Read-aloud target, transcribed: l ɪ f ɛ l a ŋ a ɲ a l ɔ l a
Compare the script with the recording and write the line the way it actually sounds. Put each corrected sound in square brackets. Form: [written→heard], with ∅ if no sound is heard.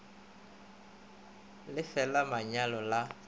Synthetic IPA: l ɪ f ɛ l a [ŋ→m] a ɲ a l ɔ l a